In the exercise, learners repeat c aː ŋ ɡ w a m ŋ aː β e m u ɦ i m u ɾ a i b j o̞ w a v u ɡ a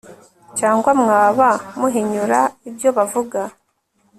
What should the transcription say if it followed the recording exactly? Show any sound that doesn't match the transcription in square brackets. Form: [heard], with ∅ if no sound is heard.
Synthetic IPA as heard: c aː ŋ ɡ w a m ŋ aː β [a] m u ɦ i [ɲ] u ɾ a i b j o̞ [β] a v u ɡ a